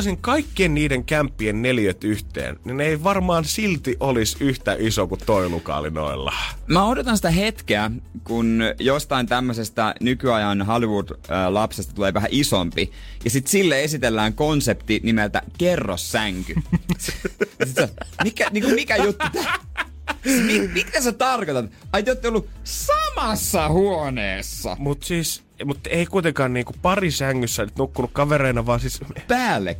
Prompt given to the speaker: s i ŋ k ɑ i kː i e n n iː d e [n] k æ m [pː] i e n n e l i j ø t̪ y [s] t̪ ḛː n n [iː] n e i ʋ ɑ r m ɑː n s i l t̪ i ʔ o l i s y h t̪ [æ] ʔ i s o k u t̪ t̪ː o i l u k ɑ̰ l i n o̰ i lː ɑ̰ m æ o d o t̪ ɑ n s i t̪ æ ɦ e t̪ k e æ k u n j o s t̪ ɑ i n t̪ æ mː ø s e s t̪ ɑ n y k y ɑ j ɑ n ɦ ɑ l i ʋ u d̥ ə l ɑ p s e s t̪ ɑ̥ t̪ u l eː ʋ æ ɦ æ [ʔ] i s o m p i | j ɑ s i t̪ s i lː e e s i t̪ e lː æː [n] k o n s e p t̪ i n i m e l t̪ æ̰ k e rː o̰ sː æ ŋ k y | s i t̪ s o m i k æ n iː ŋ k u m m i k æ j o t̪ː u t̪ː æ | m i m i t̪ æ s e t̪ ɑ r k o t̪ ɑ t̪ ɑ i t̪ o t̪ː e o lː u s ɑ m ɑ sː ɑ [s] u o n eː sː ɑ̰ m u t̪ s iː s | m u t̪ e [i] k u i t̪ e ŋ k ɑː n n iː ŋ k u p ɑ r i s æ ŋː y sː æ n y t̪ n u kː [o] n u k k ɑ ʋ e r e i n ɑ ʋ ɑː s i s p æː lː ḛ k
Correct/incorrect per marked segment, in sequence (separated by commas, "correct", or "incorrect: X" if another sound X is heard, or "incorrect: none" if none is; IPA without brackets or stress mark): incorrect: ŋ, correct, incorrect: h, incorrect: i, correct, correct, incorrect: ŋ, incorrect: h, correct, incorrect: u